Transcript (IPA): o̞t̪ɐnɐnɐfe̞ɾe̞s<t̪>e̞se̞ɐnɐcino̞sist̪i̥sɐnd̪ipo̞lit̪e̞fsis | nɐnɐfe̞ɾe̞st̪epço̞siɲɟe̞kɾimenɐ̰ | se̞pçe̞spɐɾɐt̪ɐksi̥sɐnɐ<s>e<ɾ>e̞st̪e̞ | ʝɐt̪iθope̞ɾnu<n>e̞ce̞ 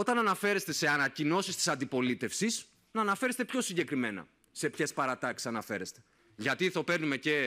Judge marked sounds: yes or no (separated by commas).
yes, no, yes, no